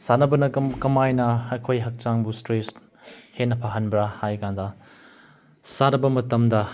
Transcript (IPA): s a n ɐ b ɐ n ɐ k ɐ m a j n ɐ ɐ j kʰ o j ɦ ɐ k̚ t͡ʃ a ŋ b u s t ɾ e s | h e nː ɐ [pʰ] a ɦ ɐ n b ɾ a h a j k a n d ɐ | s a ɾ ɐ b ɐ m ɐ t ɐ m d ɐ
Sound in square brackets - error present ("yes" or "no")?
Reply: no